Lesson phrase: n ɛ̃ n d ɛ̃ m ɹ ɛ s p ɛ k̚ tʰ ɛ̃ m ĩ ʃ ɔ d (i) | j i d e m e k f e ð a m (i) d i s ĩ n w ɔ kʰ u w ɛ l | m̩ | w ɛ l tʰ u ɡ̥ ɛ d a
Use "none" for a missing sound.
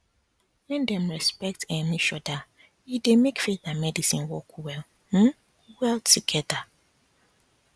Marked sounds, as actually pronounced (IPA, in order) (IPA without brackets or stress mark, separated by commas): a, ɛ